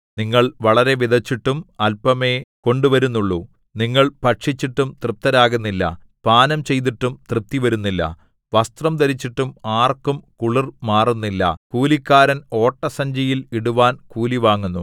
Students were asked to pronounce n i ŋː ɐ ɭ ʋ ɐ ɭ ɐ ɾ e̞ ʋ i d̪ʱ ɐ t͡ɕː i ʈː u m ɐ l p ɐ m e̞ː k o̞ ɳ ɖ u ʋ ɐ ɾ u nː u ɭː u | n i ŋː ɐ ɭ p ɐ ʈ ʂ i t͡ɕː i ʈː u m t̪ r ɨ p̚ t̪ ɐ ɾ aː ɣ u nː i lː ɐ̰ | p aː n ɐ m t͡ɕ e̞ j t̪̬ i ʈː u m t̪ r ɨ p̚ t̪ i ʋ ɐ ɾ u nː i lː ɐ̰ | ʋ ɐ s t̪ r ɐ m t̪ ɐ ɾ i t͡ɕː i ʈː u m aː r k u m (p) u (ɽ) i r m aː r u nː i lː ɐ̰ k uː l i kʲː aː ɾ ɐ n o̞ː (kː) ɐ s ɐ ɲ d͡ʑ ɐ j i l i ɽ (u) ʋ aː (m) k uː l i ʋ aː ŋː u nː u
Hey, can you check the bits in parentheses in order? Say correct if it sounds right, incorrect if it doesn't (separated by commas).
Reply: incorrect, incorrect, incorrect, correct, incorrect